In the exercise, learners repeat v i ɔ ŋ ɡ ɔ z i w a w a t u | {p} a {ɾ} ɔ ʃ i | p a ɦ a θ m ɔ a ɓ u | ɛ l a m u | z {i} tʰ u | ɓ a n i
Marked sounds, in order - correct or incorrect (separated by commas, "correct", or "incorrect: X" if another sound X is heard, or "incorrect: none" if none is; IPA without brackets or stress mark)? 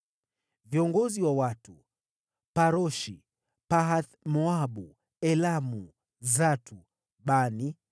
correct, correct, incorrect: a